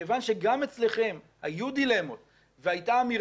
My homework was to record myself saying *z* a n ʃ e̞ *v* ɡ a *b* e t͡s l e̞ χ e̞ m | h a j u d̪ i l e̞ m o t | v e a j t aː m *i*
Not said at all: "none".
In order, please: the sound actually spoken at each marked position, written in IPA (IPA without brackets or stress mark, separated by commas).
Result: v, none, m, i